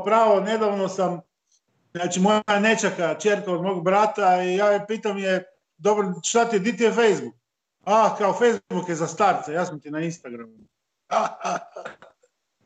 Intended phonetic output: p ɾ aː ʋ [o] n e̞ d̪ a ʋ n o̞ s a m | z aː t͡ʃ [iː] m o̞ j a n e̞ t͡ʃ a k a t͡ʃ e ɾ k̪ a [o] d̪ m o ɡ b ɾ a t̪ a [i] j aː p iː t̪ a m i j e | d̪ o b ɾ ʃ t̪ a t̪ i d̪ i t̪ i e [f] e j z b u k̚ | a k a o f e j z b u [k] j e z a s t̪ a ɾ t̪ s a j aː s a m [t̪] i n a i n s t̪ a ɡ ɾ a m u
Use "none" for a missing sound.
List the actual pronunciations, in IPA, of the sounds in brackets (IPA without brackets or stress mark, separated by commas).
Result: o, i, o, i, f, k, t̪